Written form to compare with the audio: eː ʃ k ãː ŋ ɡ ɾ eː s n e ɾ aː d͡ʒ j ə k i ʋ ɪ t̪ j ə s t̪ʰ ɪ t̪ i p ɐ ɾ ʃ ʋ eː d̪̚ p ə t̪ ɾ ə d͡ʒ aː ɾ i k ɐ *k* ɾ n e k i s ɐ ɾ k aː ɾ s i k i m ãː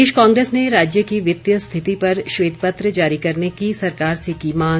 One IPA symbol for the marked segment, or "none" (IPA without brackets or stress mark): none